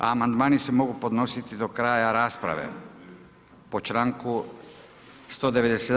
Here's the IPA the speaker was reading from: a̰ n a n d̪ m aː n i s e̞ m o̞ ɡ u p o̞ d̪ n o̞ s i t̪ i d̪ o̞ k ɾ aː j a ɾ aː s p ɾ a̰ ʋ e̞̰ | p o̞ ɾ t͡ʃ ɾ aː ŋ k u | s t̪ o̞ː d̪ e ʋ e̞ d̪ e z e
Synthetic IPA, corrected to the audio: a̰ m a n d̪ m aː n i s e̞ m o̞ ɡ u p o̞ d̪ n o̞ s i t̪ i d̪ o̞ k ɾ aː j a ɾ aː s p ɾ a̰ ʋ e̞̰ | p o̞ t͡ʃ ɾ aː ŋ k u | s t̪ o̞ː d̪ e ʋ e̞ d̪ e s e